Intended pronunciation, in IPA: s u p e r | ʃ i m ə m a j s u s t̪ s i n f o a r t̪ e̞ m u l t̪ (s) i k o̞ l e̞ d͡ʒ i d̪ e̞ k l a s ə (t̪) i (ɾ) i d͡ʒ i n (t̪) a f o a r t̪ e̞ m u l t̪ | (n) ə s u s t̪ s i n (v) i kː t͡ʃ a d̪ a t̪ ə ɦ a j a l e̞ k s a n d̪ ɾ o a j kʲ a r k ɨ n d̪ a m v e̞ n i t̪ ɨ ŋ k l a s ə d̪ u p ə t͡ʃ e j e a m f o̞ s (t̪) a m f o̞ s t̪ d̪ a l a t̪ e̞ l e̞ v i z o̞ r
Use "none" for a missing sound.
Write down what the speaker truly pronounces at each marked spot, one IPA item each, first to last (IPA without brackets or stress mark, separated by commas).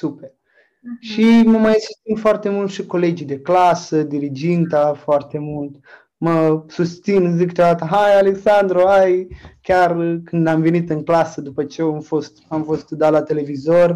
ʃ, d̪, ɾ, t̪, m, z, t̪